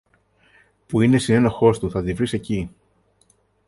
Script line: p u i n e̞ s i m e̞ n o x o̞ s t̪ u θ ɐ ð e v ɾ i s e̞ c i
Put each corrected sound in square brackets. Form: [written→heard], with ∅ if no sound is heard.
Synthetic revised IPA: p u i n e̞ s i [m→n] e̞ n o x o̞ s t̪ u θ ɐ ð [e→i] v ɾ i s e̞ c i